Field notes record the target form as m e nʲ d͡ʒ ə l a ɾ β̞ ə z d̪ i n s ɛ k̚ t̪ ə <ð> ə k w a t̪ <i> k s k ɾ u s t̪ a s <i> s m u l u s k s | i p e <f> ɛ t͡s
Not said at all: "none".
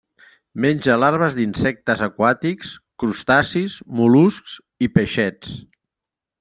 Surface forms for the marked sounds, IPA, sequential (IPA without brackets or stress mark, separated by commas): z, i, i, ʃ